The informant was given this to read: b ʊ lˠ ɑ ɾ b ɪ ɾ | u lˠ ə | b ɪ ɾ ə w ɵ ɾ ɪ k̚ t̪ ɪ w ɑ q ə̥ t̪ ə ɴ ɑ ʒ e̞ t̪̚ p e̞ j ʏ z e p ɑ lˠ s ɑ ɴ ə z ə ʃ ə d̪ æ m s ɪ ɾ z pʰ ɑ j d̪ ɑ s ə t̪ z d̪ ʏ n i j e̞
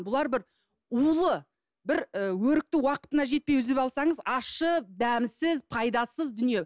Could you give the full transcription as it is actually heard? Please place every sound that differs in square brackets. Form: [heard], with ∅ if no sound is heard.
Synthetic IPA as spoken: b ʊ lˠ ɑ ɾ b ɪ ɾ | u lˠ ə | b ɪ ɾ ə w ɵ ɾ ɪ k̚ t̪ ɪ w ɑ q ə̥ t̪ ə [n] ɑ ʒ e̞ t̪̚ p e̞ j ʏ z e p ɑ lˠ s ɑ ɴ ə z [ɑ] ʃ ə d̪ æ m s ɪ [∅] z pʰ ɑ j d̪ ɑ s ə [∅] z d̪ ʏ n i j e̞

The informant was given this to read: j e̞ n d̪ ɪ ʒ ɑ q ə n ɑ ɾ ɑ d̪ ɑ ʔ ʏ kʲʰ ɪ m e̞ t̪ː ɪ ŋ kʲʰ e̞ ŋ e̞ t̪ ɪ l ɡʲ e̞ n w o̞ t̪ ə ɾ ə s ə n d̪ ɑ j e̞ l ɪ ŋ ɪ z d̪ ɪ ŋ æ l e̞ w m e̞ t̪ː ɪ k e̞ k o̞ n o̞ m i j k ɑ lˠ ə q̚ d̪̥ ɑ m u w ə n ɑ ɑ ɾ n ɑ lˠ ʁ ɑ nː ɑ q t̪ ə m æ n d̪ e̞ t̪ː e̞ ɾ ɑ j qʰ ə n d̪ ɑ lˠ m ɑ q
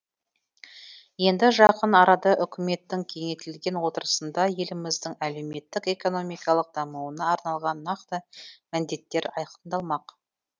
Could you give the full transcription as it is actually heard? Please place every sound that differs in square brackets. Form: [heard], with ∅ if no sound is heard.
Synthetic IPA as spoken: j e̞ n d̪ ɪ ʒ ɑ q ə n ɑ ɾ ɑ d̪ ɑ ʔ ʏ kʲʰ ɪ m e̞ t̪ː ɪ ŋ kʲʰ e̞ ŋ e̞ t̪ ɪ l ɡʲ e̞ n w o̞ t̪ ə ɾ ə s ə n d̪ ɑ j e̞ l ɪ [m] ɪ z d̪ ɪ ŋ æ l e̞ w m e̞ t̪ː ɪ k e̞ k o̞ n o̞ m i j k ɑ lˠ ə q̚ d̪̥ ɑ m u w ə n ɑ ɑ ɾ n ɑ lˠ ʁ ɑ nː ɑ q t̪ ə m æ n d̪ e̞ t̪ː e̞ ɾ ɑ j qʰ ə n d̪ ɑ lˠ m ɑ q

